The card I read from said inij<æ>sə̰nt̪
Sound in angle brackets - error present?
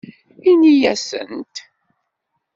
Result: no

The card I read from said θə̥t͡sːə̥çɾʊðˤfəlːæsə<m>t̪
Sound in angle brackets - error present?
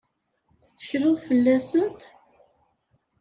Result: yes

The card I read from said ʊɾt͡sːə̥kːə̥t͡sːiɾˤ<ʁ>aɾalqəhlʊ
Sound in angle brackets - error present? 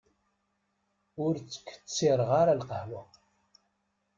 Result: no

